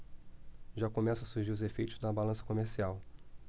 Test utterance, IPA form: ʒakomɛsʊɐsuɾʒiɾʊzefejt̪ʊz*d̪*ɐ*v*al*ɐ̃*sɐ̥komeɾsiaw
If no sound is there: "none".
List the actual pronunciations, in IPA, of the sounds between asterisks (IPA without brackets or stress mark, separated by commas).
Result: d̪, b, ɐ̃